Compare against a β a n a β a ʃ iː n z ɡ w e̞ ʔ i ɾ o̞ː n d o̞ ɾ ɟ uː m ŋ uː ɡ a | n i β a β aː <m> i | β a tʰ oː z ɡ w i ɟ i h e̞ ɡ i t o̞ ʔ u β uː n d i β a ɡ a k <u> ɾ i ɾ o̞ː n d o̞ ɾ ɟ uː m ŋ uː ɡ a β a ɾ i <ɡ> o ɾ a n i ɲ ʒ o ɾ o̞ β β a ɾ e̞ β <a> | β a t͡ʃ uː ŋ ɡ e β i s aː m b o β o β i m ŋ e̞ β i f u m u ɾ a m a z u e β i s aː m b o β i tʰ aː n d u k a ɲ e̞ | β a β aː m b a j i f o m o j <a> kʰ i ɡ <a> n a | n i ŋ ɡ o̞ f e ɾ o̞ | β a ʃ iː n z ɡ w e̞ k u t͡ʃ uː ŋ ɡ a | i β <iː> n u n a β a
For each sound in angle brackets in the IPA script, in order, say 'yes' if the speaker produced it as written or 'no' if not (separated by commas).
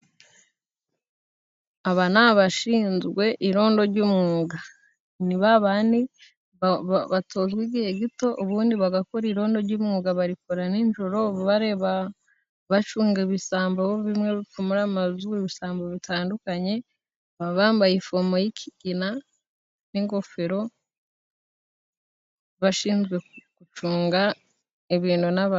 no, no, no, yes, no, no, yes